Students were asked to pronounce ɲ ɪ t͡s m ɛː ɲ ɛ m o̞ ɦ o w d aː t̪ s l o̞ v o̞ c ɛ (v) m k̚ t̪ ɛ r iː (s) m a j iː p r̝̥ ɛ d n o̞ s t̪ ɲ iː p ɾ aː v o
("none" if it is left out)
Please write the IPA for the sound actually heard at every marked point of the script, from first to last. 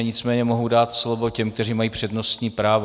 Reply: none, none

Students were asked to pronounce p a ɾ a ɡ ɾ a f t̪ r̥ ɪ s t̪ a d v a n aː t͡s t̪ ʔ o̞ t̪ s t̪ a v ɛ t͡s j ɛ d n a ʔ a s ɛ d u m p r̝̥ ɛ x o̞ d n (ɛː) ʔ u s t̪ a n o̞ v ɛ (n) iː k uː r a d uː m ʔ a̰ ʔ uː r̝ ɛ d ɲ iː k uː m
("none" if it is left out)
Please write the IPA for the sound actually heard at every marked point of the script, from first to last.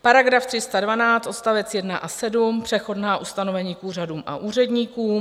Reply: aː, ɲ

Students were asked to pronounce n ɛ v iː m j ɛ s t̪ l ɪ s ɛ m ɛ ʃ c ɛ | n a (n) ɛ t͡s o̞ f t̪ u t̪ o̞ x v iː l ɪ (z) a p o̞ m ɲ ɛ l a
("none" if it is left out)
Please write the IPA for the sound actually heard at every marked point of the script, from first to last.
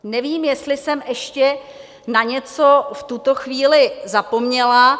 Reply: ɲ, z

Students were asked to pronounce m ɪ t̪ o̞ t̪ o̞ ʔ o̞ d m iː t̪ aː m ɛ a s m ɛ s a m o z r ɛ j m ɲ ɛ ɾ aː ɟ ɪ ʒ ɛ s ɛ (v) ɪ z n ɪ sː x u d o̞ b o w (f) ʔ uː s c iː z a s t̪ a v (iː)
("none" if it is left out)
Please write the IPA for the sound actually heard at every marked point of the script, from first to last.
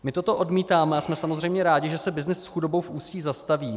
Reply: b, f, iː

